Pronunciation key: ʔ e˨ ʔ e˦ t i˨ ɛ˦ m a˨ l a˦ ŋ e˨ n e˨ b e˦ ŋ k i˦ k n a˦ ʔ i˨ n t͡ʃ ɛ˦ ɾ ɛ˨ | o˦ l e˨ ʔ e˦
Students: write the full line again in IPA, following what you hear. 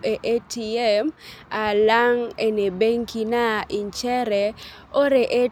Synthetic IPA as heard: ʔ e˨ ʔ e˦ t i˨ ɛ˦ m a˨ l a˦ ŋ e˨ n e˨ b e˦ ŋ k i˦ n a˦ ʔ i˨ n t͡ʃ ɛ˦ ɾ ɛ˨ | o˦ ɾ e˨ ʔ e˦